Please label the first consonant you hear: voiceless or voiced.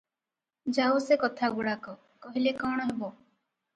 voiced